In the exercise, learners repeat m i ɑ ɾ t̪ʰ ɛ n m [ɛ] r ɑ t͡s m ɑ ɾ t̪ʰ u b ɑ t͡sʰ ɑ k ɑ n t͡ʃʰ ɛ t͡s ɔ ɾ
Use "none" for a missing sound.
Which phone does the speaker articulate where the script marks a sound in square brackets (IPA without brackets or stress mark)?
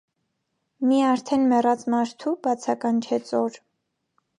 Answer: ɛ